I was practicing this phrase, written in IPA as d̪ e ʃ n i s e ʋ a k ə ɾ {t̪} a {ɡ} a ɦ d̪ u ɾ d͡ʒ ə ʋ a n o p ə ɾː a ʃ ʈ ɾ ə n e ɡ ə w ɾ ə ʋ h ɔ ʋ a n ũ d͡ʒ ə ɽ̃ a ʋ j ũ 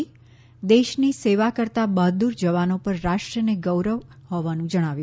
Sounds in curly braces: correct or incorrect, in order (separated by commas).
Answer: correct, incorrect